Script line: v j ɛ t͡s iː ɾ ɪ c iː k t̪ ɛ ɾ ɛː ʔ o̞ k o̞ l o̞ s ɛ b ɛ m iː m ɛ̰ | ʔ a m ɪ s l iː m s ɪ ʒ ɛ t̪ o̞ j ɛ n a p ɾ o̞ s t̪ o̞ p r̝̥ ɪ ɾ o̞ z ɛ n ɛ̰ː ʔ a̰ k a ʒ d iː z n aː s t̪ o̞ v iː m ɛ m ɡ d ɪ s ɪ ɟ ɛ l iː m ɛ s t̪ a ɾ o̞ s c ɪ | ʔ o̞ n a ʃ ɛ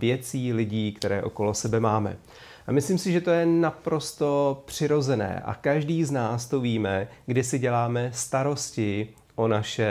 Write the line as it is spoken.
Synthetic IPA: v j ɛ t͡s iː l ɪ ɟ iː k t̪ ɛ ɾ ɛː ʔ o̞ k o̞ l o̞ s ɛ b ɛ m aː m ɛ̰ | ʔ a m ɪ s l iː m s ɪ ʒ ɛ t̪ o̞ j ɛ n a p ɾ o̞ s t̪ o̞ p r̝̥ ɪ ɾ o̞ z ɛ n ɛ̰ː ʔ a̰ k a ʒ d iː z n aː s t̪ o̞ v iː m ɛ ɡ d ɪ s ɪ ɟ ɛ l aː m ɛ s t̪ a ɾ o̞ s c ɪ | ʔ o̞ n a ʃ ɛ